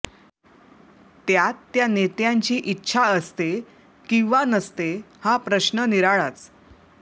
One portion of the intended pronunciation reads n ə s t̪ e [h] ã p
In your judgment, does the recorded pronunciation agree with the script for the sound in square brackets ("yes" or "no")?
yes